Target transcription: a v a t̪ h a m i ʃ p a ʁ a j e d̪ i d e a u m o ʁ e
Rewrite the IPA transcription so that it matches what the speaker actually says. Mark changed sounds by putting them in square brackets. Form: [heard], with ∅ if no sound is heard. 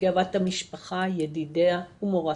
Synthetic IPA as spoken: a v a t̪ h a m i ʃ p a [χ] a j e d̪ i d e a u m o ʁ [a]